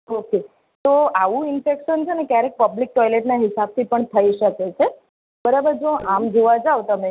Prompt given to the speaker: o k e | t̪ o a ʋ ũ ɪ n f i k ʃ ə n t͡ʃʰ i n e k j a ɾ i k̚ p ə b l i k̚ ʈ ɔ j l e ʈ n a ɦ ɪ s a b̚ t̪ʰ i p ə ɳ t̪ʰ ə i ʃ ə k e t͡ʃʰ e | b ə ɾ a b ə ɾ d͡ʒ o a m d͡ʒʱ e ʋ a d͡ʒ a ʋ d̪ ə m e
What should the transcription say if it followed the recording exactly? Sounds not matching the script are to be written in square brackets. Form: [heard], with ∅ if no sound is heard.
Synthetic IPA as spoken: o k e | t̪ o a ʋ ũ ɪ n f [e] k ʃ ə n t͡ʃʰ [e] n e k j a ɾ [e] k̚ p ə b l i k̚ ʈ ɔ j l e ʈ n a ɦ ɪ s a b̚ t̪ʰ i p ə ɳ t̪ʰ ə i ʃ ə k e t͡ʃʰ e | b ə ɾ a b ə ɾ d͡ʒ o a m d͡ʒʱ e ʋ a d͡ʒ a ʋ [t̪] ə m e